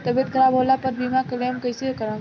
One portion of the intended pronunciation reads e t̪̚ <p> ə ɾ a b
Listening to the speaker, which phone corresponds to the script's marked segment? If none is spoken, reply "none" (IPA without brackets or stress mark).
k